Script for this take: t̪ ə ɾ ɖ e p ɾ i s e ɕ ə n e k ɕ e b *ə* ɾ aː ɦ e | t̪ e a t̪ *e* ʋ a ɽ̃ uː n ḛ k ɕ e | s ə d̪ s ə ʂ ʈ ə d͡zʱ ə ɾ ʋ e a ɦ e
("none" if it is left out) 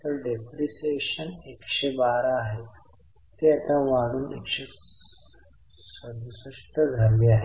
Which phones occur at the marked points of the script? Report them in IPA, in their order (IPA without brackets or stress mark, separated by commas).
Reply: a, a